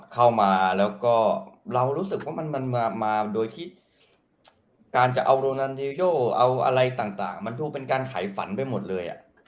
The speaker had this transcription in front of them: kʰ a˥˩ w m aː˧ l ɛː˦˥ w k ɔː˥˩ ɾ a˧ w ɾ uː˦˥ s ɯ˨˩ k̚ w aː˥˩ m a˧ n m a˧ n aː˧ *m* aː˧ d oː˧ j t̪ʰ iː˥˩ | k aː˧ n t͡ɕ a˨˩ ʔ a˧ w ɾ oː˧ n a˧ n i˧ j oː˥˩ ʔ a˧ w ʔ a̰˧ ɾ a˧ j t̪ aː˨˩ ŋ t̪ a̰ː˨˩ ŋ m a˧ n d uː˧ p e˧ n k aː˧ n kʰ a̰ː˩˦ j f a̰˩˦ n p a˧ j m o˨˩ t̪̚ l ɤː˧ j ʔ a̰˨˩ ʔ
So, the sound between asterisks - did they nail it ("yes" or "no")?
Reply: yes